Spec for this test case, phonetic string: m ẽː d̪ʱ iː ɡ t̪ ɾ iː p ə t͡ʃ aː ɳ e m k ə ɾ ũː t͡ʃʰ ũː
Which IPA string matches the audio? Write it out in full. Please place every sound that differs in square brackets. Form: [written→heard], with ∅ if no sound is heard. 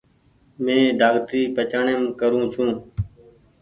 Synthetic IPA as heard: m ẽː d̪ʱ [iː→aː] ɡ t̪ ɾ iː p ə t͡ʃ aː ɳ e m k ə ɾ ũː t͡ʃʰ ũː